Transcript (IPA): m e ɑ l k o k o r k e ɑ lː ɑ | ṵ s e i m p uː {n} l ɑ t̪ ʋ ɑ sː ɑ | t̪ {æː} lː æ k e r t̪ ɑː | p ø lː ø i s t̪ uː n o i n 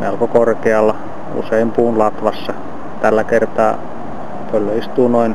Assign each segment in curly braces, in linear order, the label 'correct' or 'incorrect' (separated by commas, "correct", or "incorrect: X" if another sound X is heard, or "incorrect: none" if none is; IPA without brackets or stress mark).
correct, incorrect: æ